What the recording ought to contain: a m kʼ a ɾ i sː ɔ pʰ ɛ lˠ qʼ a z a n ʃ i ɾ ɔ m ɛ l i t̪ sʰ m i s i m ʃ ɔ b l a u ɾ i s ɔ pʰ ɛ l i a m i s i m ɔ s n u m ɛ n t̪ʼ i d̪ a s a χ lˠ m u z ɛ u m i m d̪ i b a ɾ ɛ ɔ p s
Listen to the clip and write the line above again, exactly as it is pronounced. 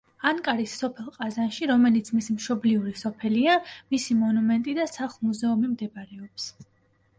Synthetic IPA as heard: a ŋ kʼ a ɾ i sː ɔ pʰ ɛ lˠ qʼ a z a n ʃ i ɾ ɔ m ɛ l i t̪ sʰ m i s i m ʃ ɔ b l i u ɾ i s ɔ pʰ ɛ l i a m i s i m ɔ n u m ɛ n t̪ʼ i d̪ a s a χ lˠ m u z ɛ u m i m d̪ ɛ b a ɾ ɛ ɔ p s